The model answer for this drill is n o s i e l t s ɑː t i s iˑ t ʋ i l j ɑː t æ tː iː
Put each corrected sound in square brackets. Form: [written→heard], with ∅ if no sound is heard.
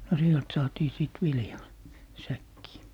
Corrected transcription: n o s i e l t s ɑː t [i→iː] s iˑ t ʋ i l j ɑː [t→s] æ [tː→kː] iː

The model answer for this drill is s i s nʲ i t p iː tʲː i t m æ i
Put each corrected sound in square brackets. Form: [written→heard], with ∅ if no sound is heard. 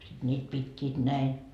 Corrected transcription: s i [s→t] nʲ [i→iː] t p [iː→i] tʲː [i→iː] t [m→n] æ i

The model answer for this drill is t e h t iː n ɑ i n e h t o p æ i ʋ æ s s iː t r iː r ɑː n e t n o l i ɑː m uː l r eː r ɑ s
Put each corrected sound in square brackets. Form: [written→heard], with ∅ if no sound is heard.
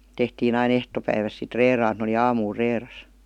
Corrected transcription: t e h t iː n ɑ i n e h t o p æ i ʋ æ s s [iː→i] t r [iː→eː] r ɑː n e t n o l i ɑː m uː l r eː r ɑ s

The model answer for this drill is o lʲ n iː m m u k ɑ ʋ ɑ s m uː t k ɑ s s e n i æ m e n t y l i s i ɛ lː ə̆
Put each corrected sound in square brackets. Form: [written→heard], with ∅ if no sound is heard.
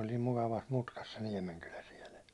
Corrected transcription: o lʲ n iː m m u k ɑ ʋ ɑ s m [uː→u] t k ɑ s s e n i [æ→ɛ] m e n [t→k] y l [i→æ] s i ɛ [lː→l] ə̆

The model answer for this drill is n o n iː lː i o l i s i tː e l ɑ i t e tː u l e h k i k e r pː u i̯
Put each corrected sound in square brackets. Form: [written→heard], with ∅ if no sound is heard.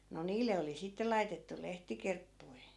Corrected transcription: n o n iː lː [i→e] o l i s i tː e l ɑ i t e tː u l e h [k→t] i k e r pː u i̯

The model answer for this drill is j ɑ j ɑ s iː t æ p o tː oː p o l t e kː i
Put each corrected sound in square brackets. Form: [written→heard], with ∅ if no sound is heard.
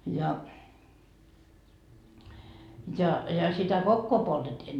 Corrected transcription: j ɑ j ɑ s [iː→i] t æ [p→k] o [tː→kː] oː p o l t e [kː→tː] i

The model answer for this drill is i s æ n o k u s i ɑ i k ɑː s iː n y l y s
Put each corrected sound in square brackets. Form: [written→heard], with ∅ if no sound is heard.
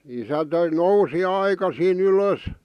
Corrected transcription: i s æ n o [k→∅] u s i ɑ i k [ɑː→ɑ] s iː n y l [y→ø] s

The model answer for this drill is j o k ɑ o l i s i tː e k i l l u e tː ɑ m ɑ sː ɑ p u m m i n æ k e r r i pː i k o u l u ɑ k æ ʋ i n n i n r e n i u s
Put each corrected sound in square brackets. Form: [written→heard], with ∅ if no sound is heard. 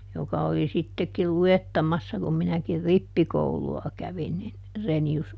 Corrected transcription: j o k ɑ o l i s i tː e k i l l u e tː ɑ m ɑ sː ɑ [p→k] u m m i n æ k [e→i] r r i pː i k o u l u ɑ k æ ʋ i n n i n r e n i u s

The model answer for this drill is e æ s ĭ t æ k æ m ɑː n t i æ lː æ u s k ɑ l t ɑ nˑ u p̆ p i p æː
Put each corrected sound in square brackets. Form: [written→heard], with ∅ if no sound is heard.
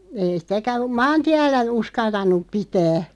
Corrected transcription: e [æ→i] s ĭ t æ k æ m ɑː n t i æ lː æ u s k ɑ l t ɑ nˑ u p̆ p i [p→t] æː

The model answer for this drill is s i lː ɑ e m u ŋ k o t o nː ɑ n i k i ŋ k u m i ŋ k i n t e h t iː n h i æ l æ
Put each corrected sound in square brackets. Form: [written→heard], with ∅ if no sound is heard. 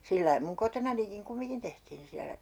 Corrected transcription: s i lː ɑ [e→i] m u ŋ k o t o [nː→n] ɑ n i k i ŋ k u m i ŋ k i n t e h t iː n [h→s] i æ l æ

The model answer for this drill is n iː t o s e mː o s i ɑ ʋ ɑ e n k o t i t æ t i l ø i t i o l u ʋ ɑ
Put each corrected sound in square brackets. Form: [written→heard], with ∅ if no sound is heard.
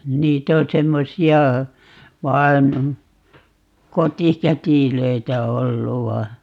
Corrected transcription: n iː t o s e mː o s i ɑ ʋ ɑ e n k o t i [t→k] æ t i l ø i t [i→æ] o [l→lː] u ʋ ɑ

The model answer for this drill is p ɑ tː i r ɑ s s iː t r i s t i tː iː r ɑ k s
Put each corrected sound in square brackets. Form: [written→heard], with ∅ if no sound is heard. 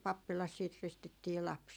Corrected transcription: p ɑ [tː→pː] i [r→l] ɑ s s iː t r i s t i tː iː [r→l] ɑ [k→p] s

